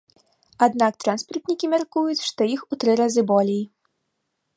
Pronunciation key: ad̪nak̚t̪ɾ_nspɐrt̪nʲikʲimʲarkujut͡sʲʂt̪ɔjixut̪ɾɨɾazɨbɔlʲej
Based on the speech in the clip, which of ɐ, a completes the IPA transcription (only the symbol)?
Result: a